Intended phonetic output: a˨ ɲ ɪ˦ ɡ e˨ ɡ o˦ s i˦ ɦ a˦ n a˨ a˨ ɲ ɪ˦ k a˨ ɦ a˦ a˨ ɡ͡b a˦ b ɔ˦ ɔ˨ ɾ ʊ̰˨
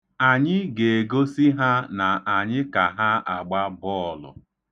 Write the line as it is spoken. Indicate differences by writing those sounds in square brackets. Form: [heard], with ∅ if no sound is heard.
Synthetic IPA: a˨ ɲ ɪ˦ ɡ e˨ ɡ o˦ s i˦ ɦ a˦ n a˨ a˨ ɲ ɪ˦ k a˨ ɦ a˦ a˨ ɡ͡b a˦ b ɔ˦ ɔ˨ [l] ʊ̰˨